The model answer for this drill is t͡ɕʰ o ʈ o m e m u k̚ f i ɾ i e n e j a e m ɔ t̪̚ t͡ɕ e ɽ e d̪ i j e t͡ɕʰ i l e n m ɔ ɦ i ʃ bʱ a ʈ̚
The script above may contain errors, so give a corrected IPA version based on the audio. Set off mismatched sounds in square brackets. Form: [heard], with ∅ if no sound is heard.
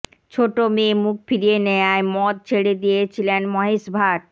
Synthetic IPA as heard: t͡ɕʰ o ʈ o m e m u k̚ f i ɾ i e n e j a e m ɔ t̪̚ [t͡ɕʰ] e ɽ e d̪ i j e t͡ɕʰ i l e n m ɔ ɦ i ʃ bʱ a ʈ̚